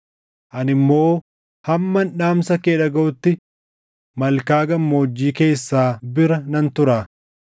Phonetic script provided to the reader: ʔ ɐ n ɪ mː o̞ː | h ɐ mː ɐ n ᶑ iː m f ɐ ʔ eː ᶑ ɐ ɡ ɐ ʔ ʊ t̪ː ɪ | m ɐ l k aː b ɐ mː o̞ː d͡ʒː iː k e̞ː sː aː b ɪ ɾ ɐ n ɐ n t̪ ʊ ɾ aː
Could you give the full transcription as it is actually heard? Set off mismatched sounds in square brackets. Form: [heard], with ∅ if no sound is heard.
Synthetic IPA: ʔ ɐ n ɪ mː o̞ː | h ɐ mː ɐ n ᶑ [aː] m [s] ɐ [k] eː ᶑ ɐ ɡ ɐ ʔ ʊ t̪ː ɪ | m ɐ l k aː [ɡ] ɐ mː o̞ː d͡ʒː iː k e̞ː sː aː b ɪ ɾ ɐ n ɐ n t̪ ʊ ɾ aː

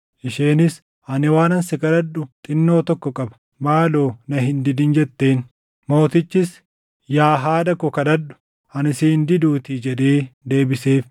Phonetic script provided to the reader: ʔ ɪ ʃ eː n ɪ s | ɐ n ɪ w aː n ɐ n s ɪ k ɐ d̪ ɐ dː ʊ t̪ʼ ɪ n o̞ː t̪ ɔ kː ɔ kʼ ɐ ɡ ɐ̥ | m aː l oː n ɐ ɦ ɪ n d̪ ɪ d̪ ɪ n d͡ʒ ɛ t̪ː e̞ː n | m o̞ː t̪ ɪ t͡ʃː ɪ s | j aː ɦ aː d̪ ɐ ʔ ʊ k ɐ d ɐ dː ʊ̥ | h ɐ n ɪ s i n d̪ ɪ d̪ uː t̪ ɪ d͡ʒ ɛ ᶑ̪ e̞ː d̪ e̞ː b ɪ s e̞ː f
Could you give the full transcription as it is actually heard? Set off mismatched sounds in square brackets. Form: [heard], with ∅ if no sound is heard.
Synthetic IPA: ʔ ɪ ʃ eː n ɪ s | ɐ n ɪ w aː n ɐ n s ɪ k ɐ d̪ ɐ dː ʊ t̪ʼ ɪ [nː] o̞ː t̪ ɔ kː ɔ kʼ ɐ [b] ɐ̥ | m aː l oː n ɐ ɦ ɪ n d̪ ɪ d̪ ɪ n d͡ʒ ɛ t̪ː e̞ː n | m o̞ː t̪ ɪ t͡ʃː ɪ s | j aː ɦ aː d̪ ɐ [k] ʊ k ɐ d ɐ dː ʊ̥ | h ɐ n ɪ s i n d̪ ɪ d̪ uː t̪ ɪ d͡ʒ ɛ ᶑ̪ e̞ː d̪ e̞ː b ɪ s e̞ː f

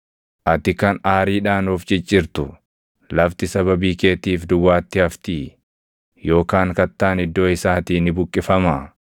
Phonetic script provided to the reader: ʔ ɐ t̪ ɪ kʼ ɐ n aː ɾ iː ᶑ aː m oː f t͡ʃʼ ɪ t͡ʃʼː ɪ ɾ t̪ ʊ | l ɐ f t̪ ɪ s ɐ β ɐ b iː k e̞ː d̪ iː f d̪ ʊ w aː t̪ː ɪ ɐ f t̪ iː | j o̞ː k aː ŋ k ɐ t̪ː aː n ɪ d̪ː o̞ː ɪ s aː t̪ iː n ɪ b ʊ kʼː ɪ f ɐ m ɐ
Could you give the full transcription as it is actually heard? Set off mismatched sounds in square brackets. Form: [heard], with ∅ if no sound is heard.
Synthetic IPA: ʔ ɐ t̪ ɪ [k] ɐ n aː ɾ iː ᶑ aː [n] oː f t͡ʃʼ ɪ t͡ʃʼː ɪ ɾ t̪ ʊ | l ɐ f t̪ ɪ s ɐ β ɐ b iː k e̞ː [t̪] iː f d̪ ʊ w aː t̪ː ɪ ɐ f t̪ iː | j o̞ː k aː ŋ k ɐ t̪ː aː n ɪ d̪ː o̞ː ɪ s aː t̪ iː n ɪ b ʊ kʼː ɪ f ɐ m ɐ

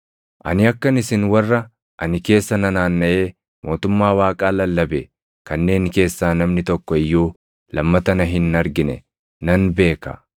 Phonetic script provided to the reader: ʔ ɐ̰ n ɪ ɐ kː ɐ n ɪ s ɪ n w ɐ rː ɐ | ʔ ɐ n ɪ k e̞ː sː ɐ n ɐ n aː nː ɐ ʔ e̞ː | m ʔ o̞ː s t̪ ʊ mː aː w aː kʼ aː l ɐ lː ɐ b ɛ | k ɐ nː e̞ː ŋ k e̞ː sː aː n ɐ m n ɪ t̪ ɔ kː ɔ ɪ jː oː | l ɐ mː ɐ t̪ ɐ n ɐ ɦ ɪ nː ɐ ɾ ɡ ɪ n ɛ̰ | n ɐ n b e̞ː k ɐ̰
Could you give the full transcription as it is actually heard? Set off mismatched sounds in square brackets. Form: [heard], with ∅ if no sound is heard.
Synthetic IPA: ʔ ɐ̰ n ɪ ɐ kː ɐ n ɪ s ɪ n w ɐ rː ɐ | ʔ ɐ n ɪ k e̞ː sː ɐ n ɐ n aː nː ɐ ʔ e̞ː | m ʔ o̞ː [∅] t̪ ʊ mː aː w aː kʼ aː l ɐ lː ɐ b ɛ | k ɐ nː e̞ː ŋ k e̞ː sː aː n ɐ m n ɪ t̪ ɔ kː ɔ ɪ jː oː | l ɐ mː ɐ t̪ ɐ n ɐ ɦ ɪ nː ɐ ɾ ɡ ɪ n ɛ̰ | n ɐ n b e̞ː k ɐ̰

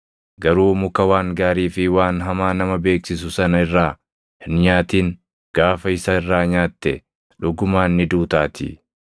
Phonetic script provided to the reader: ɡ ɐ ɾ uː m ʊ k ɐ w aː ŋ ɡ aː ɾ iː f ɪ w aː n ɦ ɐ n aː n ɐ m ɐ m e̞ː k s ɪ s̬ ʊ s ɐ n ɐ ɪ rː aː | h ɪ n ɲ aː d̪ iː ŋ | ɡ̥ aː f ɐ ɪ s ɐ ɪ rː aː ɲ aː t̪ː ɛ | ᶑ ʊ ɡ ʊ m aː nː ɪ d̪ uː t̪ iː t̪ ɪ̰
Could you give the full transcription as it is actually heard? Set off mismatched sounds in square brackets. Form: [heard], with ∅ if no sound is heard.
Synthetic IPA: ɡ ɐ ɾ uː m ʊ k ɐ w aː ŋ ɡ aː ɾ iː f ɪ w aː n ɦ ɐ [m] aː n ɐ m ɐ [b] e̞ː k s ɪ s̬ ʊ s ɐ n ɐ ɪ rː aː | h ɪ n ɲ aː [t̪] iː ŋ | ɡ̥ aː f ɐ ɪ s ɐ ɪ rː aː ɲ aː t̪ː ɛ | ᶑ ʊ ɡ ʊ m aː nː ɪ d̪ uː t̪ [aː] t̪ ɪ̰

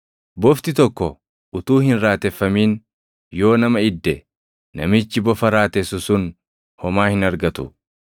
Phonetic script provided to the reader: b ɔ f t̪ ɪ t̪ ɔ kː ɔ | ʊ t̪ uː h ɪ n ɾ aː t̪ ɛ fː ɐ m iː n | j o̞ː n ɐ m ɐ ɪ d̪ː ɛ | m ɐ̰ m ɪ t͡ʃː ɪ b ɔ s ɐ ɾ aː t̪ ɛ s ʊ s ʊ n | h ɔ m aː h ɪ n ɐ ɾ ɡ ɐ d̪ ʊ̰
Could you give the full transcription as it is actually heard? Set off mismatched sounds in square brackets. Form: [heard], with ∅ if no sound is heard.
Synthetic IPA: b ɔ f t̪ ɪ t̪ ɔ kː ɔ | ʊ t̪ uː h ɪ n ɾ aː t̪ ɛ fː ɐ m iː n | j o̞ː n ɐ m ɐ ɪ d̪ː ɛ | [n] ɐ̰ m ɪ t͡ʃː ɪ b ɔ [f] ɐ ɾ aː t̪ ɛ s ʊ s ʊ n | h ɔ m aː h ɪ n ɐ ɾ ɡ ɐ [t̪] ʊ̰

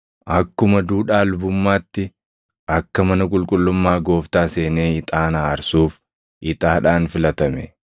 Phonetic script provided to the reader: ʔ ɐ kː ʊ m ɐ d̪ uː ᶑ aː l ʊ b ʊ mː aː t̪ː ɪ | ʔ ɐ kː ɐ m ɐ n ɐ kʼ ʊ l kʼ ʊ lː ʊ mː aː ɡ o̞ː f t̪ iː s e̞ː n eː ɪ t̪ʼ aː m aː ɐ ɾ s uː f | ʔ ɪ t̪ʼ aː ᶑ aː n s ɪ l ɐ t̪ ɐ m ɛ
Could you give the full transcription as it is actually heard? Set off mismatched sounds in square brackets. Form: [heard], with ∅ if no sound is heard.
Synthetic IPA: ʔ ɐ kː ʊ m ɐ d̪ uː ᶑ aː l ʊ b ʊ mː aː t̪ː ɪ | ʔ ɐ kː ɐ m ɐ n ɐ kʼ ʊ l kʼ ʊ lː ʊ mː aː ɡ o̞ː f t̪ [aː] s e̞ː n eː ɪ t̪ʼ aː [n] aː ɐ ɾ s uː f | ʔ ɪ t̪ʼ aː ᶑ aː n [f] ɪ l ɐ t̪ ɐ m ɛ

